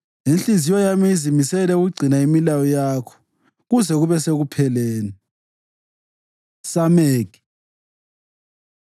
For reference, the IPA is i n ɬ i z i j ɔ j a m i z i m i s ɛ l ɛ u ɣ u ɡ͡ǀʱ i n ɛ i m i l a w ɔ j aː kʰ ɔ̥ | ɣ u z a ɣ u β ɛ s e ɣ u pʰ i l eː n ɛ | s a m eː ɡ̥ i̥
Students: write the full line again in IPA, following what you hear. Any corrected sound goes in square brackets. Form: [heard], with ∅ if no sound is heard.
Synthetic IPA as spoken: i n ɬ i z i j ɔ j a m i z i m i s ɛ l ɛ u ɣ u ɡ͡ǀʱ i n [a] i m i l a w ɔ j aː kʰ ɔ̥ | ɣ u z [ɛ] ɣ u β ɛ s e ɣ u pʰ [ɛ] l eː n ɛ | s a m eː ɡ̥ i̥